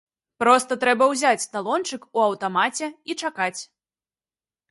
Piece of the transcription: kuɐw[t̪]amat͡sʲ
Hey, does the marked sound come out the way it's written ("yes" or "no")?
yes